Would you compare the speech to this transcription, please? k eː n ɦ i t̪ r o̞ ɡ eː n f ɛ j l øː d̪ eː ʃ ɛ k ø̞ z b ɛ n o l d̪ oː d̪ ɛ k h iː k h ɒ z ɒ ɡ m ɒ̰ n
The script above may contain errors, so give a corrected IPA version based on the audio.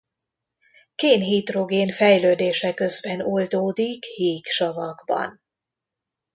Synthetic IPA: k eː n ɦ i t̪ r o̞ ɡ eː n f ɛ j l øː d̪ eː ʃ ɛ k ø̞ z b ɛ n o l d̪ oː d̪ i k h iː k ʃ ɒ v ɒ ɡ b ɒ̰ n

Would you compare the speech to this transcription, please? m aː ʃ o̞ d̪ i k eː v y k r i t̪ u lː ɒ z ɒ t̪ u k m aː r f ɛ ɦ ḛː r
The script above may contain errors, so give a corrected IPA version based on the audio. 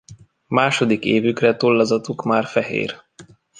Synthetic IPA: m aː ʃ o̞ d̪ i k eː v y k r ɛ t̪ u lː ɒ z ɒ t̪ u k m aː r f ɛ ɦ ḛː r

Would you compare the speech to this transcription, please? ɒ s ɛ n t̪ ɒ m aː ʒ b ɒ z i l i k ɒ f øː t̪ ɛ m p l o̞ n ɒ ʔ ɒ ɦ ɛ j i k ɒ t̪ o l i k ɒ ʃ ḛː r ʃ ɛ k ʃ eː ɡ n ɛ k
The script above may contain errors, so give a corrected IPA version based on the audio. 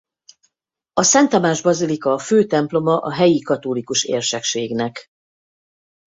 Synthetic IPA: ɒ s ɛ n t̪ ɒ m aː ʒ b ɒ z i l i k ɒ f øː t̪ ɛ m p l o̞ m ɒ ʔ ɒ ɦ ɛ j i k ɒ t̪ o l i k u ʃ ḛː r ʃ ɛ k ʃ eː ɡ n ɛ k

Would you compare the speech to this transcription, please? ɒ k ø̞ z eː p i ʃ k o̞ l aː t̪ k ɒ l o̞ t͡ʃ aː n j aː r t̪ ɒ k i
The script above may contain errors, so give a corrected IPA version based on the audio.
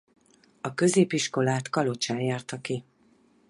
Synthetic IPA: ɒ k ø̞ z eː p i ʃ k o̞ l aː t̪ k ɒ l o̞ t͡ʃ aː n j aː r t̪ ɒ k i

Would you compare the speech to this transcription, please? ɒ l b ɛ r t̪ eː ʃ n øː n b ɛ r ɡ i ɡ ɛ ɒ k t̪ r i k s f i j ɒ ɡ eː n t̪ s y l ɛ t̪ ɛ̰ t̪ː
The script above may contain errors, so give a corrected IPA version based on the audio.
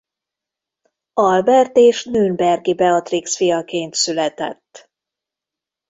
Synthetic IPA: ɒ l b ɛ r t̪ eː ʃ n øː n b ɛ r ɡ i b ɛ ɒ t̪ r i k s f i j ɒ k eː n t̪ s y l ɛ t̪ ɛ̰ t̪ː

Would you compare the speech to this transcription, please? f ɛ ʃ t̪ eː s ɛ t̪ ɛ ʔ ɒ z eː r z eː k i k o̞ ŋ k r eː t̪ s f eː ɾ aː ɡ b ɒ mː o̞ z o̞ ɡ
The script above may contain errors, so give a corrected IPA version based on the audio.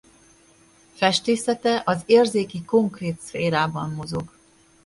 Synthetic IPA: f ɛ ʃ t̪ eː s ɛ t̪ ɛ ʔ ɒ z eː r z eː k i k o̞ ŋ k r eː t̪ s f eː ɾ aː b ɒ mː o̞ z o̞ ɡ

